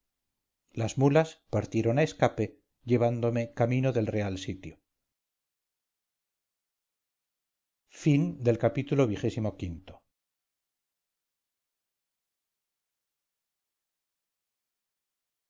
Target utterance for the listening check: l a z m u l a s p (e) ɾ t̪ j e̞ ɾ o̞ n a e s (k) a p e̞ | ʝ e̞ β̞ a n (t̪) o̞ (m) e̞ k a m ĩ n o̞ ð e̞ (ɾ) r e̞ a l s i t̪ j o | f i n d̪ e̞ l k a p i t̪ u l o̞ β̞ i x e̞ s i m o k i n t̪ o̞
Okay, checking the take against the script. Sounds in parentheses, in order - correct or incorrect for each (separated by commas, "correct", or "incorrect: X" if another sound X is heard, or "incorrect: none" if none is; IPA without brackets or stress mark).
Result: incorrect: a, correct, incorrect: d̪, correct, incorrect: l